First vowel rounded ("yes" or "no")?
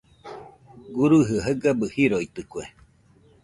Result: yes